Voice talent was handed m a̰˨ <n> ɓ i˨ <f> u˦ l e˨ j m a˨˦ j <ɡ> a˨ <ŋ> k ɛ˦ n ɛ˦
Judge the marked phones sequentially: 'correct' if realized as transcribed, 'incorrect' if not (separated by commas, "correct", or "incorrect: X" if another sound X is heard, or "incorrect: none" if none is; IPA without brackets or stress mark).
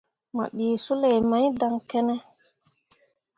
incorrect: none, incorrect: s, incorrect: d, correct